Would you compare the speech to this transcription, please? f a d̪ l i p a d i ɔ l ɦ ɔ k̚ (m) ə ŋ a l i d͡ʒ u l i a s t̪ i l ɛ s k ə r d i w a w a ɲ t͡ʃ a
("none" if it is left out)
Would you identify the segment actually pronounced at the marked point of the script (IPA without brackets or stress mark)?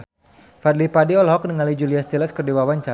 n